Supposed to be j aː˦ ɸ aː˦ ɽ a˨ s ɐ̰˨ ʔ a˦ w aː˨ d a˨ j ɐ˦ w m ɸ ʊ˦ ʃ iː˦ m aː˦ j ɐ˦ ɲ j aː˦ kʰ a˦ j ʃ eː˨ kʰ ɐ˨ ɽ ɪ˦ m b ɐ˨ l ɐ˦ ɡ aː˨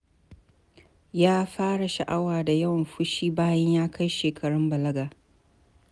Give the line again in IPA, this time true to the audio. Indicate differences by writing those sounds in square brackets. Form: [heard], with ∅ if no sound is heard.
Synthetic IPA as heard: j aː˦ ɸ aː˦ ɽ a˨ [ʃ] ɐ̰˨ ʔ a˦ w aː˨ d a˨ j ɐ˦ w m ɸ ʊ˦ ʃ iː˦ [b] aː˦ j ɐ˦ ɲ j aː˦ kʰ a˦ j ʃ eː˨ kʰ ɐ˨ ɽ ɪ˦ m b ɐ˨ l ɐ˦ ɡ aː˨

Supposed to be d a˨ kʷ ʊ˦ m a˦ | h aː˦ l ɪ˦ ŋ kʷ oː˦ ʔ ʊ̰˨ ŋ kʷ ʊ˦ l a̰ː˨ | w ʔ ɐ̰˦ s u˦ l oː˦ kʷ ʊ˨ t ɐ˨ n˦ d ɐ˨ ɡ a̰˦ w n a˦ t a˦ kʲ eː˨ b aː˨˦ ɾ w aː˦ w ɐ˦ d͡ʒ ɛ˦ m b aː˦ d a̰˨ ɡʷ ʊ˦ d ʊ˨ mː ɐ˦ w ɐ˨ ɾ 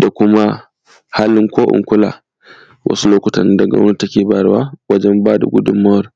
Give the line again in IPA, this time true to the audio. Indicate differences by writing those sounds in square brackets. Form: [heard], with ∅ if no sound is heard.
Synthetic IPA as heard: d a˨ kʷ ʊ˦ m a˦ | h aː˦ l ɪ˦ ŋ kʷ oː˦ ʔ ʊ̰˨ ŋ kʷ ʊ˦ l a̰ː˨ | w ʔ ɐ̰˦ s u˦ l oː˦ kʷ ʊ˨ t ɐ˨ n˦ d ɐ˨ ɡ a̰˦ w n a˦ t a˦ kʲ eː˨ b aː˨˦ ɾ w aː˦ w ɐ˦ d͡ʒ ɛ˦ m b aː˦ d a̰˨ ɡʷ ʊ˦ d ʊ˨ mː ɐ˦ w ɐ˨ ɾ

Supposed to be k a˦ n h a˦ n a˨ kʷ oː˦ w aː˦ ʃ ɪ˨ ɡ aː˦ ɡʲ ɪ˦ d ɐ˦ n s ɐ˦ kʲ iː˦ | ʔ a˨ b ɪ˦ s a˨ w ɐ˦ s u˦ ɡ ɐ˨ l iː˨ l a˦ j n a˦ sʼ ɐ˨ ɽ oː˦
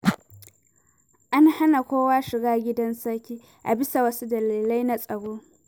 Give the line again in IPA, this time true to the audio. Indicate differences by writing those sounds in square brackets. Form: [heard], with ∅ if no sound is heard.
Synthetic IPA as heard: [ʔ] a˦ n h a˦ n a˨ kʷ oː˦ w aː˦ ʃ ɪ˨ ɡ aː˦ ɡʲ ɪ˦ d ɐ˦ n s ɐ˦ kʲ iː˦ | ʔ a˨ b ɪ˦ s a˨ w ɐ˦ s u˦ [d] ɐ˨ l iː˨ l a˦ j n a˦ sʼ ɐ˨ ɽ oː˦

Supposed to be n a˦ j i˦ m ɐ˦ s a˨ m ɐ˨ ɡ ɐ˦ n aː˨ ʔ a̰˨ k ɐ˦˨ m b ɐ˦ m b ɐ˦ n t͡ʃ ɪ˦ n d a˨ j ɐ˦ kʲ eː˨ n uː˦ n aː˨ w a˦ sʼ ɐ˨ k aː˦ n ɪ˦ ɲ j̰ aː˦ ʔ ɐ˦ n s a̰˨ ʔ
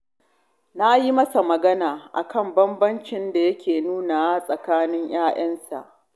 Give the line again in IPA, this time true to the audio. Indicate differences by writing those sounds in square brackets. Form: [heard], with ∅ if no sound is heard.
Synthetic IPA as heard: n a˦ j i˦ m ɐ˦ s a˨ m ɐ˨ ɡ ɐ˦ n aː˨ ʔ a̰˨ k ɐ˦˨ m b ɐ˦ m b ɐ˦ n t͡ʃ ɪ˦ n d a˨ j ɐ˦ kʲ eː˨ n uː˦ n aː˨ w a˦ sʼ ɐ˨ k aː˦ n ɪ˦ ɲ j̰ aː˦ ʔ ɐ˦ n s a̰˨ ʔ

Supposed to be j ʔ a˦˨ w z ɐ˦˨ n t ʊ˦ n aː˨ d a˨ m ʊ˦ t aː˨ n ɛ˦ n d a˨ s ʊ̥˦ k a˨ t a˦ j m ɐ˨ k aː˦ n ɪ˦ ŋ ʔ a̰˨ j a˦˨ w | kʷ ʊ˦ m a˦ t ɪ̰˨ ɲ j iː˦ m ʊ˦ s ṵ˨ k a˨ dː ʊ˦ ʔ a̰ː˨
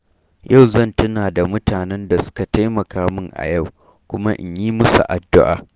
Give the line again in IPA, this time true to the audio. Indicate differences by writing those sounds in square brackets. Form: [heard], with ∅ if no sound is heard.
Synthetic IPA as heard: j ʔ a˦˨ w z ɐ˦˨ n t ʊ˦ n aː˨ d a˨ m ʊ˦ t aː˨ n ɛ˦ n d a˨ s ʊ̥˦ k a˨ t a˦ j m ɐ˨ k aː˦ [m] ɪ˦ ŋ ʔ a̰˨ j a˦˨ w | kʷ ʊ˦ m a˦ [ʔ] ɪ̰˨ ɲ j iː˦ m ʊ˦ s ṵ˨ [ʔ] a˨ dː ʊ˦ ʔ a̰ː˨

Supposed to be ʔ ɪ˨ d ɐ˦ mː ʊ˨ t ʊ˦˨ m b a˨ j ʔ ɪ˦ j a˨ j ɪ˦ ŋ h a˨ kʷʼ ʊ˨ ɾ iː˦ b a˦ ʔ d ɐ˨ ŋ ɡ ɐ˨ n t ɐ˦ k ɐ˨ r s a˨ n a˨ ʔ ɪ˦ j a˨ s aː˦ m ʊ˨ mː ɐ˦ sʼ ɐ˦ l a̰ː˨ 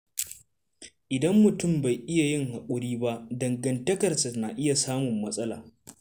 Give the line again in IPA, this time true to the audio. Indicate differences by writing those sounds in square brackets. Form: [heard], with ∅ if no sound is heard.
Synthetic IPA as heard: ʔ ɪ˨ d ɐ˦ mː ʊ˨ t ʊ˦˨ m b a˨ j ʔ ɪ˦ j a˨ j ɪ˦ ŋ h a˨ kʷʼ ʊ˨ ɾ iː˦ b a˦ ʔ d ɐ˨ ŋ ɡ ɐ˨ n t ɐ˦ k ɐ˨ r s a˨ n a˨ ʔ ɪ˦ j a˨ s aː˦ m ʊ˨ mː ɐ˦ sʼ ɐ˦ l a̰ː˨

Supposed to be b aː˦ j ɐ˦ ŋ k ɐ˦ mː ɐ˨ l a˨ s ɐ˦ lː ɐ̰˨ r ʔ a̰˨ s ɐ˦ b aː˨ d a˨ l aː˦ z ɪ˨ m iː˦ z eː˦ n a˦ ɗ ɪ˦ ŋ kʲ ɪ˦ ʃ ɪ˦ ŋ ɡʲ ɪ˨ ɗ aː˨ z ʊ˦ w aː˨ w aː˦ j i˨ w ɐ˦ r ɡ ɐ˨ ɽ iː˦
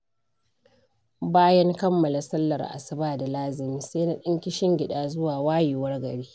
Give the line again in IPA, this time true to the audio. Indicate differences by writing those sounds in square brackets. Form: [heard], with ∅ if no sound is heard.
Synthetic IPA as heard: b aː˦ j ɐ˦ ŋ k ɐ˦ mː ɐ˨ l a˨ s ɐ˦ lː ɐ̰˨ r ʔ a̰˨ s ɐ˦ b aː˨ d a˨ l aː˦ z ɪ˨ m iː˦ [s] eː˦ n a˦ ɗ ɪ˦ ŋ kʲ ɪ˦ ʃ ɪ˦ ŋ ɡʲ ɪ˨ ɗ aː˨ z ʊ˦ w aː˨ w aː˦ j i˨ w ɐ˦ r ɡ ɐ˨ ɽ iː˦

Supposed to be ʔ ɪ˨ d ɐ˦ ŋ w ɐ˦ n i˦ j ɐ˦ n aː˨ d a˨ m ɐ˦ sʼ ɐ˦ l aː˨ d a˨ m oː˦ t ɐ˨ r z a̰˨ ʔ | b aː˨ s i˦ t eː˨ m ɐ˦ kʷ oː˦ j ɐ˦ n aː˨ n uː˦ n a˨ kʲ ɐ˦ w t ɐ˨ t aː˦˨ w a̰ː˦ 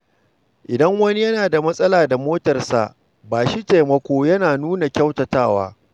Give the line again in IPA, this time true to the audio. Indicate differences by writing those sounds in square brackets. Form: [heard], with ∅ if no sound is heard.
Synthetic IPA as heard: ʔ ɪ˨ d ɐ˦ ŋ w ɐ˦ n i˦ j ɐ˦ n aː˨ d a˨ m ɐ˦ sʼ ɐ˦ l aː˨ d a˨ m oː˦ t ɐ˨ r [s] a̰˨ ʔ | b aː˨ [ʃ] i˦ t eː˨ m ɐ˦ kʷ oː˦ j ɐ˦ n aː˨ n uː˦ n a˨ kʲ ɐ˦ w t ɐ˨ t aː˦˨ w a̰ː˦

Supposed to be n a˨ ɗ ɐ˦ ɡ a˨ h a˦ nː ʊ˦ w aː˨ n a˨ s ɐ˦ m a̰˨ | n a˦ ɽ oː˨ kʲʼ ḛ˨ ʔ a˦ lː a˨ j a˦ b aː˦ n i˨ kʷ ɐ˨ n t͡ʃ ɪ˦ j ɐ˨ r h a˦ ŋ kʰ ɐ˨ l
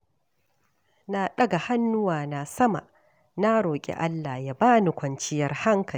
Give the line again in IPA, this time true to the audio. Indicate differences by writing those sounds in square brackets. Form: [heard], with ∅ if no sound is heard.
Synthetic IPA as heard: n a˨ ɗ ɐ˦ ɡ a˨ h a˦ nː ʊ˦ w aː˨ n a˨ s ɐ˦ m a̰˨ | n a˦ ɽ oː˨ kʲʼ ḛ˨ ʔ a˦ lː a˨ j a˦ b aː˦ n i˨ kʷ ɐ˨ n t͡ʃ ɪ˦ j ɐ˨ r h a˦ ŋ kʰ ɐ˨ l

